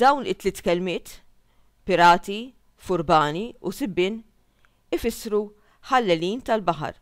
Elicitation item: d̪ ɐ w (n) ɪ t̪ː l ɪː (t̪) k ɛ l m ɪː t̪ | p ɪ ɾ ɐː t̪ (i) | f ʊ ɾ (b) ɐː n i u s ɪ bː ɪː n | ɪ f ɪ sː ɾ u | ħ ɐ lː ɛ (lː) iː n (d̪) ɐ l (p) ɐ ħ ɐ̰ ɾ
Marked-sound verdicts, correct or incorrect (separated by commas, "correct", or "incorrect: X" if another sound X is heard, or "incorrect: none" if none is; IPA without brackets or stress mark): correct, correct, correct, correct, incorrect: l, incorrect: t̪, incorrect: b